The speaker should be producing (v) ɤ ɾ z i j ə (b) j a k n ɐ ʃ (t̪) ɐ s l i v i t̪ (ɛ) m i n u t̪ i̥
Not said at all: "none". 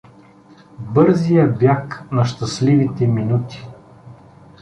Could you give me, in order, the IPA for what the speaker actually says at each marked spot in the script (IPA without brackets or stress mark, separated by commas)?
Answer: b, b, t̪, ɛ